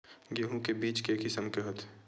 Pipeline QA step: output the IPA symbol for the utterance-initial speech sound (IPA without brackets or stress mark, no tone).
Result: ɡ